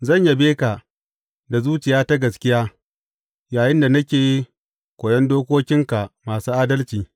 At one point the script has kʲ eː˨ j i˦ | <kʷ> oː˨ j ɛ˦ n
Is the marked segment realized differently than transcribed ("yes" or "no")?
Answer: no